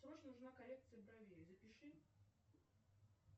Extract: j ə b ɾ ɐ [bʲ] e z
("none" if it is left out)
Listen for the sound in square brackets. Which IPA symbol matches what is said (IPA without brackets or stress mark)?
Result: vʲ